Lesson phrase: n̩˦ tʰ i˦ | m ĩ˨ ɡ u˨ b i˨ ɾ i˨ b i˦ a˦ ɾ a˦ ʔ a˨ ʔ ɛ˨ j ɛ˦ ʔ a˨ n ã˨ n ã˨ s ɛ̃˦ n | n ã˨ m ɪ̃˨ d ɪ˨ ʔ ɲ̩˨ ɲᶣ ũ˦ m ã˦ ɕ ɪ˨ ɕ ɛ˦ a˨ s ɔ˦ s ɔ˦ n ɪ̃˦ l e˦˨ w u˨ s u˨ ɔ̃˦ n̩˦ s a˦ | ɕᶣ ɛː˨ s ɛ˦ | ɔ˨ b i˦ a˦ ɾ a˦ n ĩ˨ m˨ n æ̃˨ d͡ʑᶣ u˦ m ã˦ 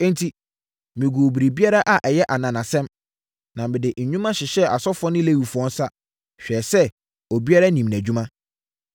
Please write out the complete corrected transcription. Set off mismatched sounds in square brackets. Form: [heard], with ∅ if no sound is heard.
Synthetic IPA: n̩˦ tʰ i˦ | m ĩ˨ ɡ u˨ b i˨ ɾ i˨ b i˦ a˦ ɾ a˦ ʔ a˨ ʔ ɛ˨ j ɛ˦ ʔ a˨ n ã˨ n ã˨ s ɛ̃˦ [m] | n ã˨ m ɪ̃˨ d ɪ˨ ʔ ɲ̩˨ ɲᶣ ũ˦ m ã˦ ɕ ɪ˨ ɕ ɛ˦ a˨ s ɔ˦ [f] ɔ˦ n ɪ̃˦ l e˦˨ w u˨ [f] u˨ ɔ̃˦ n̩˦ s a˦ | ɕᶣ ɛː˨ s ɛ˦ | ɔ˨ b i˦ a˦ ɾ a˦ n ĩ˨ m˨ n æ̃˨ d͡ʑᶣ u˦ m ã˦